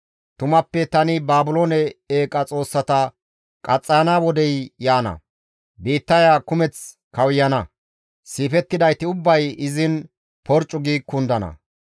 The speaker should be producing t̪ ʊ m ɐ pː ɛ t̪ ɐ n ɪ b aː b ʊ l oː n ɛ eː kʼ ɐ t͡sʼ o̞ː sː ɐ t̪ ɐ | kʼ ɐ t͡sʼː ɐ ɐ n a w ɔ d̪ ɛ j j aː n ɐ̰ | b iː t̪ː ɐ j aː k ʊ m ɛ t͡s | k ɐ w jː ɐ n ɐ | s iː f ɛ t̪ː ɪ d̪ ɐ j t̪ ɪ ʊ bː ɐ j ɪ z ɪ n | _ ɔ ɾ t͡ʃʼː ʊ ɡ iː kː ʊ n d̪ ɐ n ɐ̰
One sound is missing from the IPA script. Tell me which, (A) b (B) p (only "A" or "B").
B